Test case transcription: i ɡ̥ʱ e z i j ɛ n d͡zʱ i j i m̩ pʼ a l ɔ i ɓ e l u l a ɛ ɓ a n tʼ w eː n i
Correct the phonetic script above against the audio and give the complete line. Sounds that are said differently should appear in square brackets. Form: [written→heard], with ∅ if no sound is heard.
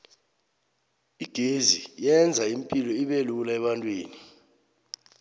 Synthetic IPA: i ɡ̥ʱ e z i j ɛ n d͡zʱ [i→a] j i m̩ pʼ [a→i] l ɔ i ɓ e l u l a ɛ ɓ a n tʼ w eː n i